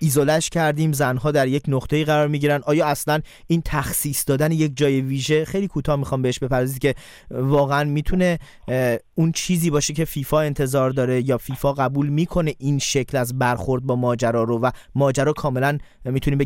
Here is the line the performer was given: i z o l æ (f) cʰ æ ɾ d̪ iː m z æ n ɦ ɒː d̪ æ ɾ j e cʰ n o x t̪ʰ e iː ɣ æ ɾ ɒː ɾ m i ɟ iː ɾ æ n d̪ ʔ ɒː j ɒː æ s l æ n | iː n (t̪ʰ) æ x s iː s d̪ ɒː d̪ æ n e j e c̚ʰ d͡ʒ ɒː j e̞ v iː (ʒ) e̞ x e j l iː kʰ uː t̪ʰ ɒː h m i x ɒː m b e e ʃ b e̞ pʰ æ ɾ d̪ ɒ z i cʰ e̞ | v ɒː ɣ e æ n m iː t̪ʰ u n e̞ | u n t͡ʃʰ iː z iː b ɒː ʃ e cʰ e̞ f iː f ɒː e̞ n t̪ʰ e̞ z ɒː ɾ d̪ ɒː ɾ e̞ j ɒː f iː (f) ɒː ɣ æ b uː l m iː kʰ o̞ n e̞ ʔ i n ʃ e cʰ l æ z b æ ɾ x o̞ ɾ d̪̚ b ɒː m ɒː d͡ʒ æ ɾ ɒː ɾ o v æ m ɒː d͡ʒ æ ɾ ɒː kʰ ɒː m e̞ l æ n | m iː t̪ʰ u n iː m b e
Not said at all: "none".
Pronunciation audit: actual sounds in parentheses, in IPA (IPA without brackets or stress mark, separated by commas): ʃ, t̪ʰ, ʒ, f